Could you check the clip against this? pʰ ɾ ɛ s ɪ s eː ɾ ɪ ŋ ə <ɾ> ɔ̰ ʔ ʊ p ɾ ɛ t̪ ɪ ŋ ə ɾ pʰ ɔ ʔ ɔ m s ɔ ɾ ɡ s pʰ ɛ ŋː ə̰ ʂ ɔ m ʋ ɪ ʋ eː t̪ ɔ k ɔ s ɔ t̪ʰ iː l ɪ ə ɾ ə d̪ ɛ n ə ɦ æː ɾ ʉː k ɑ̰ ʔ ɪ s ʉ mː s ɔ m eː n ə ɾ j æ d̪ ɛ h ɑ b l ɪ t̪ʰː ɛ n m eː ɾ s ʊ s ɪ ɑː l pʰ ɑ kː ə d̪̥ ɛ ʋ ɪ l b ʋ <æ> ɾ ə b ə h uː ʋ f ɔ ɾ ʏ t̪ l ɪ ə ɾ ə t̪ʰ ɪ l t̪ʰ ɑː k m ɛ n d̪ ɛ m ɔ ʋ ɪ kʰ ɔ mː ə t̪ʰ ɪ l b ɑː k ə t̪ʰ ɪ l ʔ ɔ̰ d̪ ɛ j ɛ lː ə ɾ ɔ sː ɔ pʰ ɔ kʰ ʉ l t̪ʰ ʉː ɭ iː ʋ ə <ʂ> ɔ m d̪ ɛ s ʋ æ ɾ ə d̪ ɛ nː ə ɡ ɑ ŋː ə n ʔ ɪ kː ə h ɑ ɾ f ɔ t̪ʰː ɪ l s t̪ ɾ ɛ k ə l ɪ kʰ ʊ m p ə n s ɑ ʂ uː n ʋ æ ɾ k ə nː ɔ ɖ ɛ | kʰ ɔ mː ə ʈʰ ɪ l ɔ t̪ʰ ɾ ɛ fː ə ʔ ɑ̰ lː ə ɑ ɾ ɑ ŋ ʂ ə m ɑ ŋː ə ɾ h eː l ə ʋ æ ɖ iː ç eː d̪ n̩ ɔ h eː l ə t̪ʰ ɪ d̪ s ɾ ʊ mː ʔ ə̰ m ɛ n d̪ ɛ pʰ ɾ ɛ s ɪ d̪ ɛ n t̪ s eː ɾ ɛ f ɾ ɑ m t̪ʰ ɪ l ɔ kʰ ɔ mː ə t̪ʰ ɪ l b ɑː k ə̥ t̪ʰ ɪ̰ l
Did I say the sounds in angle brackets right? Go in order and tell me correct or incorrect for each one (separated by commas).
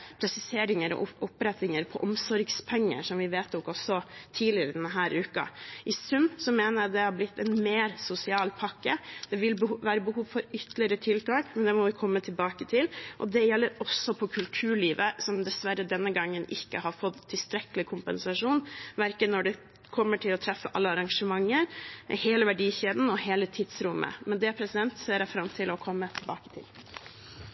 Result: correct, incorrect, incorrect